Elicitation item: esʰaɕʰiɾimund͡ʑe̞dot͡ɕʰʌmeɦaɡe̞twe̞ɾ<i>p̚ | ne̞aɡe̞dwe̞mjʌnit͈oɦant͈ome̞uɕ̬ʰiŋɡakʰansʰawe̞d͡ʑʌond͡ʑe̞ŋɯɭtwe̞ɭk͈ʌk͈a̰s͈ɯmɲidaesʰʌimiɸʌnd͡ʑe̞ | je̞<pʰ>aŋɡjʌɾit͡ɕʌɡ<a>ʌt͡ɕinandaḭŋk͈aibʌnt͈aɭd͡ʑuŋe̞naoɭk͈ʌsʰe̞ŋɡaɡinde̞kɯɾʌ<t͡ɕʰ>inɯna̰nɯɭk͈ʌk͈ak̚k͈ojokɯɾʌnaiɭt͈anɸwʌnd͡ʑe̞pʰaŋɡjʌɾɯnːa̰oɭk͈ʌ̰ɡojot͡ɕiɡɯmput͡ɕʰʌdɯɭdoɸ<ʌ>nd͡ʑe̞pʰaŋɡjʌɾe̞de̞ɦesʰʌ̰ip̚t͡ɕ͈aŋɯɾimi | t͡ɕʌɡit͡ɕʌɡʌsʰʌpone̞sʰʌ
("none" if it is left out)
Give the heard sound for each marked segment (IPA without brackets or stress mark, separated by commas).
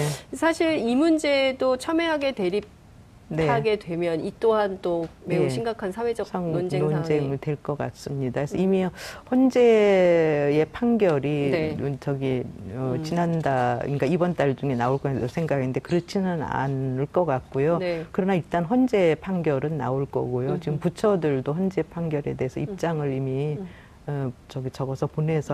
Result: i, pʰ, i, t͡ɕʰ, ʌ